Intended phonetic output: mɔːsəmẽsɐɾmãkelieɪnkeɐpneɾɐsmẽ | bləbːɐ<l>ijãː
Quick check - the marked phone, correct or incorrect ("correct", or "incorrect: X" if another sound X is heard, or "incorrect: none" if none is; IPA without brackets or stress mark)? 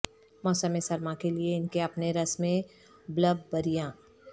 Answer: incorrect: ɾ